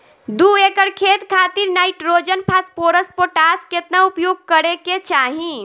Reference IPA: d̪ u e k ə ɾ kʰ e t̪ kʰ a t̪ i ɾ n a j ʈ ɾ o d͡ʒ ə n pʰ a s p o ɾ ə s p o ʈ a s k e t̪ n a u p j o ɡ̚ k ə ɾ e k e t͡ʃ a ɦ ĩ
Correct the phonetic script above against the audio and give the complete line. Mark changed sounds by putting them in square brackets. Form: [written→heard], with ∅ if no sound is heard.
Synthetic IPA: d̪ u e k ə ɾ kʰ e t̪ kʰ a t̪ i ɾ n a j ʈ ɾ o d͡ʒ ə n pʰ a s p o ɾ ə s p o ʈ a s k e t̪ n a u p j o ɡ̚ k ə ɾ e k e t͡ʃ a ɦ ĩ